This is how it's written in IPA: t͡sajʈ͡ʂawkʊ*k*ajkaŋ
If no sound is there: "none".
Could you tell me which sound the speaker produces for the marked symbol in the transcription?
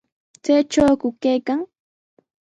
k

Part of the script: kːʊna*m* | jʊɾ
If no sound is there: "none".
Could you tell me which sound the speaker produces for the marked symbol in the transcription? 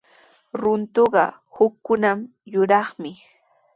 m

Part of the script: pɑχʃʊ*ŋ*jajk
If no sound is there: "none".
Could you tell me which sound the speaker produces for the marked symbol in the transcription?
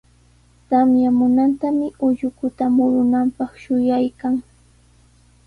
none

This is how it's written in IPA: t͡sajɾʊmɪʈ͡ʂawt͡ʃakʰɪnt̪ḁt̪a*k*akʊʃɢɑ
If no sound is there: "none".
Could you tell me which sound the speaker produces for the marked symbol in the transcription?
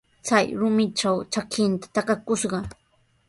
k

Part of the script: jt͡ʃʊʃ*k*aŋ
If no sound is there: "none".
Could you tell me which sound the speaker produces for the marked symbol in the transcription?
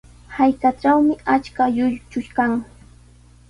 k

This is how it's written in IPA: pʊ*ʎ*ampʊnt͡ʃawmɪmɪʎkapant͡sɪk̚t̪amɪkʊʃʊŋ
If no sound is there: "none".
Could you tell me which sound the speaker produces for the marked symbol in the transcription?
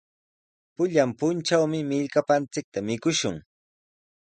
ʎ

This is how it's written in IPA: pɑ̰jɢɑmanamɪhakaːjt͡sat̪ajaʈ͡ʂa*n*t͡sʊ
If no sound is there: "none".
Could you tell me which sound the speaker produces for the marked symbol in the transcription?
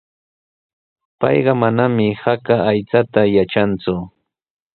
n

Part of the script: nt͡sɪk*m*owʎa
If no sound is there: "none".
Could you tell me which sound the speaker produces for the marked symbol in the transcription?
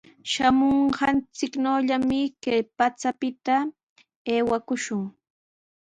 n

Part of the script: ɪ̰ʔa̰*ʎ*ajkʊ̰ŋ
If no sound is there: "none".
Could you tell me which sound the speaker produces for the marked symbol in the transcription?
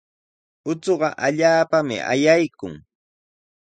j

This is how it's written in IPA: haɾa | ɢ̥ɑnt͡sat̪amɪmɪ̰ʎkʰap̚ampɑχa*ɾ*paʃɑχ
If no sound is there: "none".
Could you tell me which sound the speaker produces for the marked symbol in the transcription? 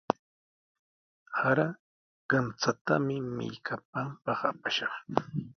none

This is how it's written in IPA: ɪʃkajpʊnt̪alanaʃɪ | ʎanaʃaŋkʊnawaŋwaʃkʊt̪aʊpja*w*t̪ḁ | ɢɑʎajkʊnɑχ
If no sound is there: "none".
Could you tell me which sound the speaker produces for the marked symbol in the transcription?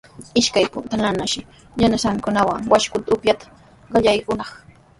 none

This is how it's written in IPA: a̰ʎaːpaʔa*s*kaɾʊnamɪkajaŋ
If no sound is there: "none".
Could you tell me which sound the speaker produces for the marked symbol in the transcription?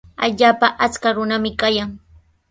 t͡s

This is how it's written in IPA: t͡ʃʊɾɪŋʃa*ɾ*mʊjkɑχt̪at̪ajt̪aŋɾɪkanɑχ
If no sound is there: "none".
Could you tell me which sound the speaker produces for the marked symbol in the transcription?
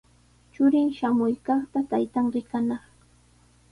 none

